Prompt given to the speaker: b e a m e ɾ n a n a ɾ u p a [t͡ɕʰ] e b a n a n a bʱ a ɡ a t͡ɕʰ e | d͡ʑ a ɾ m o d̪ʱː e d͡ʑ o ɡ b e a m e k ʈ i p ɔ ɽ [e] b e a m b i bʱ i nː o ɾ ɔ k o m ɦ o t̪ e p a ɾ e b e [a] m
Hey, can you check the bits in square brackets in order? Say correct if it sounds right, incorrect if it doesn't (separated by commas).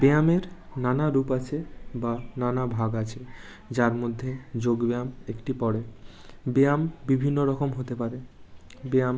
correct, correct, correct